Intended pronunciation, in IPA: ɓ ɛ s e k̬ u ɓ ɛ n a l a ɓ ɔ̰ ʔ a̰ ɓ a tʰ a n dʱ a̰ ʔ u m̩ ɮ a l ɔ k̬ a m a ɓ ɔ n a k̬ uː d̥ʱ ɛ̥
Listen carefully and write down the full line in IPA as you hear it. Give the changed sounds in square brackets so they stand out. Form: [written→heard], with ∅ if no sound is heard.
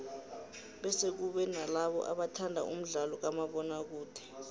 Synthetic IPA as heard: ɓ ɛ s e k̬ u ɓ ɛ n a l a ɓ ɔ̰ ʔ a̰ ɓ a tʰ a n dʱ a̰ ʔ u m̩ ɮ a l ɔ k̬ a m a ɓ ɔ n a k̬ uː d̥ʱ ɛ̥